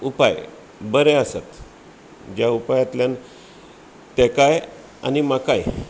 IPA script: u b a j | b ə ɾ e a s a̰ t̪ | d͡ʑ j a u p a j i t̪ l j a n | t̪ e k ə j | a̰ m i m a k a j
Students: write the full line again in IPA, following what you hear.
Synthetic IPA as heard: u p a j | b ə ɾ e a s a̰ t̪ | d͡ʑ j a u p a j a t̪ l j a n | t̪ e k a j | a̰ n i m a k a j